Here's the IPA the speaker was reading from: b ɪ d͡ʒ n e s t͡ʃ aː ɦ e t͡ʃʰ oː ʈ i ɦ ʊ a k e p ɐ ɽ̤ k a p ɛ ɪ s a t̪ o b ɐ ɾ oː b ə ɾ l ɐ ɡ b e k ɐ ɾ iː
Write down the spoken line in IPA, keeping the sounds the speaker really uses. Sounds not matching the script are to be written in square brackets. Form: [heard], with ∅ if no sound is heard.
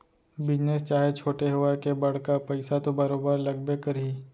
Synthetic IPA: b ɪ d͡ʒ n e s t͡ʃ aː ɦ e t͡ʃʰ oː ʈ [e] ɦ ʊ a k e [b] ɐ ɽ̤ k a p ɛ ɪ s a t̪ o b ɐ ɾ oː b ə ɾ l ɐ ɡ b e k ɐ ɾ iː